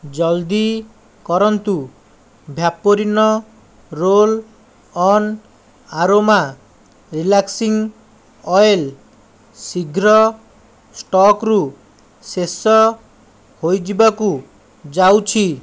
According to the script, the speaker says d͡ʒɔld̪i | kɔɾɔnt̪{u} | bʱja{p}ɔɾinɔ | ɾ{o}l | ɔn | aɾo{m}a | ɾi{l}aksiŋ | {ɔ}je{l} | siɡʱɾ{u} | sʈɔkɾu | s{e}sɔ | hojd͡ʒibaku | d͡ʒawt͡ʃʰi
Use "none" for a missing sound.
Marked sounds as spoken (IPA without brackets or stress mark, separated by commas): u, p, o, m, l, ɔ, l, ɔ, e